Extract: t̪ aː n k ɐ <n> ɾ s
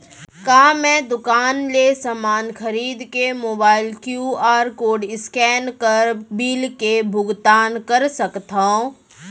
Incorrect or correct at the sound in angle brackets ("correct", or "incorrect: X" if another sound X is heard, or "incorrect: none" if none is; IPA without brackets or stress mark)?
incorrect: none